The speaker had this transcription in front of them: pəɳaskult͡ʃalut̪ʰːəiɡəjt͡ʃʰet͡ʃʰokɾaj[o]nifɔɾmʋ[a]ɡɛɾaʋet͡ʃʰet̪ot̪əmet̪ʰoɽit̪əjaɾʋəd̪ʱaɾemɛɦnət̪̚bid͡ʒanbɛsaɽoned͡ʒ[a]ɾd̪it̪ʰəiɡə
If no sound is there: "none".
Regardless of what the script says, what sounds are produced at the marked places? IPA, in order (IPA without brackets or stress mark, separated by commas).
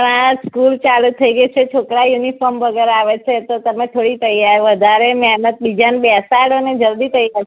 u, ə, ə